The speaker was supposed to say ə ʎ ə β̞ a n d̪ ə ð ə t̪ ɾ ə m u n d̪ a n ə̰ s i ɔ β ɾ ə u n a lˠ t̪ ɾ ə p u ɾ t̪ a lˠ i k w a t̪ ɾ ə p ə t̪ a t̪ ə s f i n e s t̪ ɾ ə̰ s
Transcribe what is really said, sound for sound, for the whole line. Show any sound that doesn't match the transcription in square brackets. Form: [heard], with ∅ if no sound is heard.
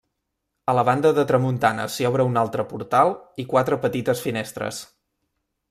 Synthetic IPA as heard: ə [l] ə β̞ a n d̪ ə ð ə t̪ ɾ ə m u n [t̪] a n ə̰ s i ɔ β ɾ ə u n a lˠ t̪ ɾ ə p u ɾ t̪ a lˠ i k w a t̪ ɾ ə p ə t̪ [i] t̪ ə s f i n e s t̪ ɾ ə̰ s

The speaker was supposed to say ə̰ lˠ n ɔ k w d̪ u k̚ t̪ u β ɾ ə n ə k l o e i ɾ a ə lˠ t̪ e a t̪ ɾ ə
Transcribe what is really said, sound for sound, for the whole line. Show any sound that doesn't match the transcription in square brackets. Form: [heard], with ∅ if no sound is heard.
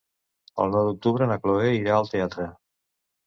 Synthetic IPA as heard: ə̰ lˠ n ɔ [∅] w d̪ u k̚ t̪ u β ɾ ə n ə k l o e i ɾ a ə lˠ t̪ e a t̪ ɾ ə

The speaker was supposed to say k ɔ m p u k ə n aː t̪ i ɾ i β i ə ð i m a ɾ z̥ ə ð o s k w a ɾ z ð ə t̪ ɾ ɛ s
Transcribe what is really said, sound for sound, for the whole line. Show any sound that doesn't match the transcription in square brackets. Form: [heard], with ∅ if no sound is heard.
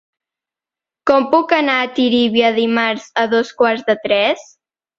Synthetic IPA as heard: k ɔ m p u k ə n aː t̪ i ɾ i β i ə ð i m a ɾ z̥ ə ð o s k w a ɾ z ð ə t̪ ɾ ɛ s

